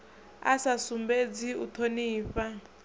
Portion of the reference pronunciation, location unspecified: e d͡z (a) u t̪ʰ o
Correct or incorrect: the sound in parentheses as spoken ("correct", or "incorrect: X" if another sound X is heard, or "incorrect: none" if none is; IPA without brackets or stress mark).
incorrect: i